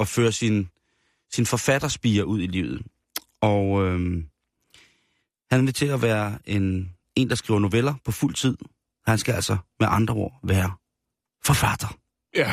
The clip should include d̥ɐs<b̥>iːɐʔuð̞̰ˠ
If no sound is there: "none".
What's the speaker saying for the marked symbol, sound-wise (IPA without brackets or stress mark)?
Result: b̥